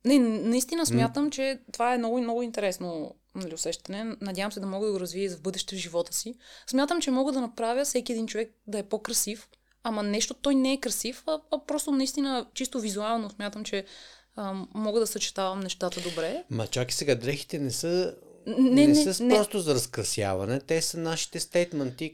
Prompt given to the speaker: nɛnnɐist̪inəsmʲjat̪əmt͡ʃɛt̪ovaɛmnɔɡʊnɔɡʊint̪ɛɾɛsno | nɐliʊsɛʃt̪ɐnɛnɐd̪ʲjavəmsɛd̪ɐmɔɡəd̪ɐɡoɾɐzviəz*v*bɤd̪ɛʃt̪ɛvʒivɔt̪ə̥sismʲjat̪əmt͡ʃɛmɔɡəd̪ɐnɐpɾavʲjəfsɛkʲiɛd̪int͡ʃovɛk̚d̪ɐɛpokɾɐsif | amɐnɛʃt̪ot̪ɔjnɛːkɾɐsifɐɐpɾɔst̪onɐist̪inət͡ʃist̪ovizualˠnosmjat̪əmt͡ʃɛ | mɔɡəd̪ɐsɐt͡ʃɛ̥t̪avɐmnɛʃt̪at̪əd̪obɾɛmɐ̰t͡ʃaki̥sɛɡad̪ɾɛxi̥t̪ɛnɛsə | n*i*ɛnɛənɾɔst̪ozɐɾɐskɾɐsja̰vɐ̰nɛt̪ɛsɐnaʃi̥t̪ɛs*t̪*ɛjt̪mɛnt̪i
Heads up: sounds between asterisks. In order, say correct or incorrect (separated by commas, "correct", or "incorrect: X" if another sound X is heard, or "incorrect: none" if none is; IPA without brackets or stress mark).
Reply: correct, incorrect: ɛ, correct